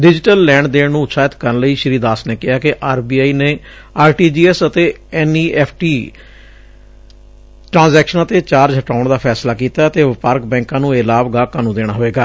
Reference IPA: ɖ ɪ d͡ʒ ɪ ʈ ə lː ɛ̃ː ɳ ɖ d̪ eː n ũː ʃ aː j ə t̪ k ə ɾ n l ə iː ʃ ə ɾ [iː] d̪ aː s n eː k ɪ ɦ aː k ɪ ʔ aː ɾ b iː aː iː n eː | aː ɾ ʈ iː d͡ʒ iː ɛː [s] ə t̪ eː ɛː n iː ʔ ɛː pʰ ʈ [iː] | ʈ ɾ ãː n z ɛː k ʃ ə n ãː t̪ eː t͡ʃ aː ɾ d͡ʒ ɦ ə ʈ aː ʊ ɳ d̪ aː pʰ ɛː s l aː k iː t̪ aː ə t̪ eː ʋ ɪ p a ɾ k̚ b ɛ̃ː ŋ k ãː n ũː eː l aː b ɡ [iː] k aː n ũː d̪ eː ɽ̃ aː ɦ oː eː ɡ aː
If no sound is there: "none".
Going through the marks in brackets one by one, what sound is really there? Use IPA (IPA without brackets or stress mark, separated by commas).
iː, s, iː, aː